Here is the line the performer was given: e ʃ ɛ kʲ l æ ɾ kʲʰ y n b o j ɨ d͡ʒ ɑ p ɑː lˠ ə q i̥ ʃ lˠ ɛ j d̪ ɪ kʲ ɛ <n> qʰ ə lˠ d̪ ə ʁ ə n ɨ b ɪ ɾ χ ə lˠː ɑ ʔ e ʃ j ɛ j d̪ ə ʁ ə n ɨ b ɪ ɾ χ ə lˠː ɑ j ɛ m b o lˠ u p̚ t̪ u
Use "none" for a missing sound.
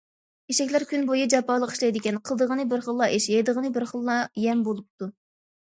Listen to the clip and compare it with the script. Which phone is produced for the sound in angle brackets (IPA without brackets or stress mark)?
n